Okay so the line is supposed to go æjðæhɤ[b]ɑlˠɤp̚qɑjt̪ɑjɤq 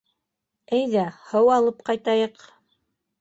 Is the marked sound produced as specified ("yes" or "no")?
no